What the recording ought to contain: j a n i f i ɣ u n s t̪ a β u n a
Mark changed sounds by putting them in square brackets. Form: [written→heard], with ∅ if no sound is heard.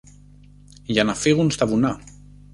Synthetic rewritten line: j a n [i→a] f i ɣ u n s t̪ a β u n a